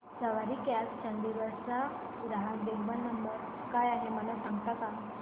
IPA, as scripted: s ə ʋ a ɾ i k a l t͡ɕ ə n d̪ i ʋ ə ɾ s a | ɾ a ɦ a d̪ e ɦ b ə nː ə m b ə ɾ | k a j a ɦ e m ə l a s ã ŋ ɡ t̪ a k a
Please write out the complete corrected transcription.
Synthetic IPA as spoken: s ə ʋ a ɾ i k a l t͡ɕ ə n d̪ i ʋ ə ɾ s a | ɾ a ɦ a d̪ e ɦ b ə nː ə m b ə ɾ | k a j a ɦ e m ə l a s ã ŋ ɡ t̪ a k a